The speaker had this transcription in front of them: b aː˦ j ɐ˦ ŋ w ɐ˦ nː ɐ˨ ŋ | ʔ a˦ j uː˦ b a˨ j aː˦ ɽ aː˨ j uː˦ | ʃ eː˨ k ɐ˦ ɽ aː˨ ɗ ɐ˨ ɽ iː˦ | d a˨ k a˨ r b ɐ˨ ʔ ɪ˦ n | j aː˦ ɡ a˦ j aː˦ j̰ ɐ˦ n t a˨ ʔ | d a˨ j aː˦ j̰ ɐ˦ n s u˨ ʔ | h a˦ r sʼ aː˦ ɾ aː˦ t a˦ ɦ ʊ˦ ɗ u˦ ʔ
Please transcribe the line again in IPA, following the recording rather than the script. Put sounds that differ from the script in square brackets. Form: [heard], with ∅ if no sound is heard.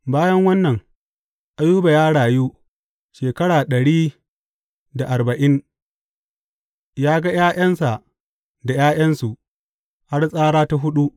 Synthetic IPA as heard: b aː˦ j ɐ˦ ŋ w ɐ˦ nː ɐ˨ ŋ | ʔ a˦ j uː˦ b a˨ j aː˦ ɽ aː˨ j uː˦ | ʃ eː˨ k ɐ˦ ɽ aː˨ ɗ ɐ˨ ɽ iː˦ | d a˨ [ʔ] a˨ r b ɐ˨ ʔ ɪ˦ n | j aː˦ ɡ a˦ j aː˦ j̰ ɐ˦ n [s] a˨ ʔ | d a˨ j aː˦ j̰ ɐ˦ n s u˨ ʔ | h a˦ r sʼ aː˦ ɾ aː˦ t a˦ ɦ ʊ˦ ɗ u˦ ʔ

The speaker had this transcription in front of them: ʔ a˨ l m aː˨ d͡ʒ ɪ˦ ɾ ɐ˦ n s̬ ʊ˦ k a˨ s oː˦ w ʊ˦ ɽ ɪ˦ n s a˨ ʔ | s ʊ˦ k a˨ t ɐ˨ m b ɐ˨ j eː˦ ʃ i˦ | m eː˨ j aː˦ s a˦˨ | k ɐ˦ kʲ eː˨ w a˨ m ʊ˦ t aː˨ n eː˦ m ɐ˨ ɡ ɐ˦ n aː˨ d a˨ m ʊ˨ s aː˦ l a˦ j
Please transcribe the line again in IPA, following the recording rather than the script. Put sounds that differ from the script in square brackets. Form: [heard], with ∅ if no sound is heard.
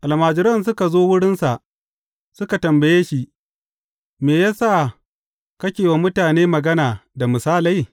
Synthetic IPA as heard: ʔ a˨ l m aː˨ d͡ʒ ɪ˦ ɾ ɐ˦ n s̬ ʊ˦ k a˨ [z] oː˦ w ʊ˦ ɽ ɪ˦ n s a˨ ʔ | s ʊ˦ k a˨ t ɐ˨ m b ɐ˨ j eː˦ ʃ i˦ | m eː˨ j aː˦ s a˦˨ | k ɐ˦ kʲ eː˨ w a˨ m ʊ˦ t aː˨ n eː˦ m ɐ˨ ɡ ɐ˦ n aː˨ d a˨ m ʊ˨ s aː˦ l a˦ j

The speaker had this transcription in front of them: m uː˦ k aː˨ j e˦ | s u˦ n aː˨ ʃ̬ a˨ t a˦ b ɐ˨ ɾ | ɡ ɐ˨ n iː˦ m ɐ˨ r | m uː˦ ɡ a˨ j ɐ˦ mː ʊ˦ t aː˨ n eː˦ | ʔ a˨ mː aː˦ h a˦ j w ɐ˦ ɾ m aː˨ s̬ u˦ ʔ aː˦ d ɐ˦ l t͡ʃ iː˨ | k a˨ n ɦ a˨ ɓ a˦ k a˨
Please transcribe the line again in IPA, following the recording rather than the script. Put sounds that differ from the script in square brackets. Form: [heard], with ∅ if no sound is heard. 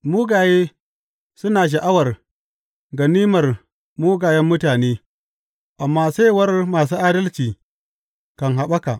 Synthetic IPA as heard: m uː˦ [ɡ] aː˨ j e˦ | s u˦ n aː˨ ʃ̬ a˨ [ʔ] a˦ [w] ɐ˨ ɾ | ɡ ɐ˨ n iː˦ m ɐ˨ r | m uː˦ ɡ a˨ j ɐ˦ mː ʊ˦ t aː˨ n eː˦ | ʔ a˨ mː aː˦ [s] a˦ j w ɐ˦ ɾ m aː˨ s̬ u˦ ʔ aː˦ d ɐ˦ l t͡ʃ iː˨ | k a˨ n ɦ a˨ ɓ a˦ k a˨

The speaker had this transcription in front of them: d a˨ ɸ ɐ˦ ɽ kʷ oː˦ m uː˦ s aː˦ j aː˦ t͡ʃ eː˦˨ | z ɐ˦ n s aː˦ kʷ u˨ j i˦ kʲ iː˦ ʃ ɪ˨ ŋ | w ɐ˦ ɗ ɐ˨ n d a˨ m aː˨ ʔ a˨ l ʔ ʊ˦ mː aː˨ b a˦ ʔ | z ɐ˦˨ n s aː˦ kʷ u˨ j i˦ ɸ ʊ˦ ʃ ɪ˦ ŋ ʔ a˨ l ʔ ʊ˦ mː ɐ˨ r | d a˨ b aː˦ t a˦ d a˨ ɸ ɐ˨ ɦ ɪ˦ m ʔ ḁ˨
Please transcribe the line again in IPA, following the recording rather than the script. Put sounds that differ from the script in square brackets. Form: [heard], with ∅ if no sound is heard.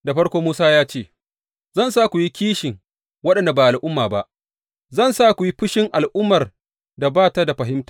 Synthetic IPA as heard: d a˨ ɸ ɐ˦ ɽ kʷ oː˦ m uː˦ s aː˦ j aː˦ t͡ʃ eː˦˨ | z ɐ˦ n s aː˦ kʷ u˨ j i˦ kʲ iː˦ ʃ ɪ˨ ŋ | w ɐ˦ ɗ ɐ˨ n d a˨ [b] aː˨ ʔ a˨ l ʔ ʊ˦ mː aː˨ b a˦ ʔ | z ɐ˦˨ n s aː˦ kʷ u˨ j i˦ ɸ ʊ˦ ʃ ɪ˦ ŋ ʔ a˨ l ʔ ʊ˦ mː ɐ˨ r | d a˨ b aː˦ t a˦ d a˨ ɸ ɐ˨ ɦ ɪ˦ m [t] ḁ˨

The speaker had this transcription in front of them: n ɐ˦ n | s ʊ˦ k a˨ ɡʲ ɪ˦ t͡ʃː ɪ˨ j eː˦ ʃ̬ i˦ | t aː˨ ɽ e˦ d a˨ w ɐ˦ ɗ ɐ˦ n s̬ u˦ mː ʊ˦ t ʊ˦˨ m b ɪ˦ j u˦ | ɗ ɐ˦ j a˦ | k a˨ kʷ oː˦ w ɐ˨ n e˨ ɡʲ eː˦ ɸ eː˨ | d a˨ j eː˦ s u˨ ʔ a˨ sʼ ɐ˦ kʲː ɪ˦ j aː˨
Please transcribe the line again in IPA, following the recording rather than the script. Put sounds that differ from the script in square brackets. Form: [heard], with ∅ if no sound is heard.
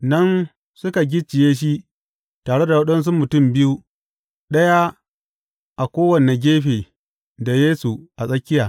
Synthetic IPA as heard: n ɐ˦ n | s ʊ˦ k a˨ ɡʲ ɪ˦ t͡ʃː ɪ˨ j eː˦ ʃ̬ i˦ | t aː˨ ɽ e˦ d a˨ w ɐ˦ ɗ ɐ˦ n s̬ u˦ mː [ʊ˨] t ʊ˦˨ m b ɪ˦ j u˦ | ɗ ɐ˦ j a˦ | [ʔ] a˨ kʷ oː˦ w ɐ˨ n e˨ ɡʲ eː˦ ɸ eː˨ | d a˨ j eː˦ s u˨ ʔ a˨ sʼ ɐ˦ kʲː ɪ˦ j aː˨

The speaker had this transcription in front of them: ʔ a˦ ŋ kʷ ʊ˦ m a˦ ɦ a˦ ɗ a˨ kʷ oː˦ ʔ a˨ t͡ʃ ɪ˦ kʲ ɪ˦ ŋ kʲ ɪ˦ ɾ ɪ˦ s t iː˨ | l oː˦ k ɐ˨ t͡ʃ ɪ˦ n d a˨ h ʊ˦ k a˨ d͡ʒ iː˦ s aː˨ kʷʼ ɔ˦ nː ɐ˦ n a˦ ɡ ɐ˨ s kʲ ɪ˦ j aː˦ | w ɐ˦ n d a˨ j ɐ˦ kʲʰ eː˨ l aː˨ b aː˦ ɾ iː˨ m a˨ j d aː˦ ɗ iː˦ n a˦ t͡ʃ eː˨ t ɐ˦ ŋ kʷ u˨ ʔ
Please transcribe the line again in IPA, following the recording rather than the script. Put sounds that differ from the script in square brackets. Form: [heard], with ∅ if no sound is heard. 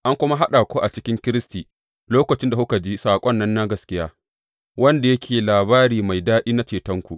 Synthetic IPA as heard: ʔ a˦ ŋ kʷ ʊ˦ m a˦ ɦ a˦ ɗ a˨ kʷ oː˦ ʔ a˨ t͡ʃ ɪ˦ kʲ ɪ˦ ŋ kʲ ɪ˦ ɾ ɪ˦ s t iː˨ | l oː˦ k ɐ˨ t͡ʃ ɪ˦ n d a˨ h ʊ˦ k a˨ d͡ʒ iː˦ s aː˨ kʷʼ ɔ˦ nː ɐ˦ [nː] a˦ ɡ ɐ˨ s kʲ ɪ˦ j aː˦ | w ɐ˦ n d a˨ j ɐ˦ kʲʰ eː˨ l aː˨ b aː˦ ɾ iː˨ m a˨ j d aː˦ ɗ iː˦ n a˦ t͡ʃ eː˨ t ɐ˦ ŋ kʷ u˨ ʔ

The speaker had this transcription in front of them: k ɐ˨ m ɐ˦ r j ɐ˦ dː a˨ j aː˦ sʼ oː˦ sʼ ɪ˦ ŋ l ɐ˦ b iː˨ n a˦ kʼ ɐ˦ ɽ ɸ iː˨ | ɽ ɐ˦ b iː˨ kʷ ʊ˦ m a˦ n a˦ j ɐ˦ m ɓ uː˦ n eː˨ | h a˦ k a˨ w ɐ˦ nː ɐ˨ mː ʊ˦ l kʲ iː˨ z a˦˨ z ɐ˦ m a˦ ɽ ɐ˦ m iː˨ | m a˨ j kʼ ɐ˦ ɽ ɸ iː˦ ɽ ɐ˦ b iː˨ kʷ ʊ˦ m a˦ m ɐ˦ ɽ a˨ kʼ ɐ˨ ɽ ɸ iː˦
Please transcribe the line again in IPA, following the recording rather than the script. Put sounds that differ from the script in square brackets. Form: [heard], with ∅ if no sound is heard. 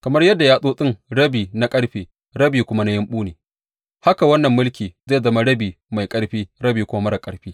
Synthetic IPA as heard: k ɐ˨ m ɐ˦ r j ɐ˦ dː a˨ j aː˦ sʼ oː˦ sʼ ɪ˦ ŋ [ɽ] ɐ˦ b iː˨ n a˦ kʼ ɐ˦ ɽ ɸ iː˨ | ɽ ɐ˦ b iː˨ kʷ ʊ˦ m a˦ n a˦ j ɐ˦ m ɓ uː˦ n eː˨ | h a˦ k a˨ w ɐ˦ nː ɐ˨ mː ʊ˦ l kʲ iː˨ z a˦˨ z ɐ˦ m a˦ ɽ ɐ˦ [b] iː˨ | m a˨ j kʼ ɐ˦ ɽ ɸ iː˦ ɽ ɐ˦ b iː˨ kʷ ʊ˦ m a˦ m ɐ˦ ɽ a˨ kʼ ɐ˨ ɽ ɸ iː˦

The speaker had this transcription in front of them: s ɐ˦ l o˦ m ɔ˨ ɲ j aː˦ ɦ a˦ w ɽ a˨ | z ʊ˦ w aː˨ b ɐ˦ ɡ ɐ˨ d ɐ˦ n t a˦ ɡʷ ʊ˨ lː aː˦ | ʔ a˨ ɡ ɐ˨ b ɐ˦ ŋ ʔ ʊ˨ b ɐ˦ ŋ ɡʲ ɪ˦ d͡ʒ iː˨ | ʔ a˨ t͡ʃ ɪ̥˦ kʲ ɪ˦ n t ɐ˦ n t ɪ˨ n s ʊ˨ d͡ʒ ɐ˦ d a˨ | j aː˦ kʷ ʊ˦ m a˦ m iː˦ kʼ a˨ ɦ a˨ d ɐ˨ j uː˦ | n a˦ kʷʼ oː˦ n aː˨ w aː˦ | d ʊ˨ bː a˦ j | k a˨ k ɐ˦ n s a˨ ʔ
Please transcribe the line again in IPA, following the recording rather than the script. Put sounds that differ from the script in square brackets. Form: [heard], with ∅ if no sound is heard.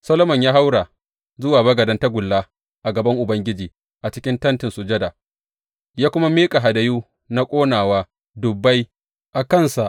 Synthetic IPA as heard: s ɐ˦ l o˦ m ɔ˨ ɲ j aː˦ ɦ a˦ w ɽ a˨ | z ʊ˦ w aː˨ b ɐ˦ ɡ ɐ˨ d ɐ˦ n t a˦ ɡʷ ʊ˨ lː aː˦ | ʔ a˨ ɡ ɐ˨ b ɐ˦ ŋ ʔ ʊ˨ b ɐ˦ ŋ ɡʲ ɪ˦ d͡ʒ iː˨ | ʔ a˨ t͡ʃ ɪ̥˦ kʲ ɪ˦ n t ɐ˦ n t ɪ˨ n s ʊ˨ d͡ʒ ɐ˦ d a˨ | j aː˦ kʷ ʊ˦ m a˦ m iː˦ kʼ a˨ ɦ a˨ d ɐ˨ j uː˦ | n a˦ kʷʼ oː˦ n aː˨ w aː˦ | d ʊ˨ bː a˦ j | [ʔ] a˨ k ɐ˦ n s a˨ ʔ

